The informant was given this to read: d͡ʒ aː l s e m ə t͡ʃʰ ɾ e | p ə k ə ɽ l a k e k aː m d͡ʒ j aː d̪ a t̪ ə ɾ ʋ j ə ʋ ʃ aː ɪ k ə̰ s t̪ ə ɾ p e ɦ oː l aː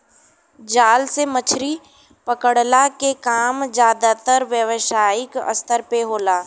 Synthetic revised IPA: d͡ʒ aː l s e m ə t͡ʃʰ ɾ i | p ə k ə ɽ l a k e k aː m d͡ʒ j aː d̪ a t̪ ə ɾ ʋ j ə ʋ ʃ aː ɪ k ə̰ s t̪ ə ɾ p e ɦ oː l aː